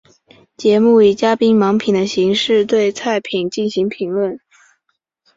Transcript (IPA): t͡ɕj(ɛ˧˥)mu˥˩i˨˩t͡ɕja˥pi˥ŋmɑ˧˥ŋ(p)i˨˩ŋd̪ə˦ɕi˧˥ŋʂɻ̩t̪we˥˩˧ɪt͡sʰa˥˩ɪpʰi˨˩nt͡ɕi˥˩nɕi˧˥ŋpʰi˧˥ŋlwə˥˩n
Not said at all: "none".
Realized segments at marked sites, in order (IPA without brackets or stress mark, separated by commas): ɛ˧˥, pʰ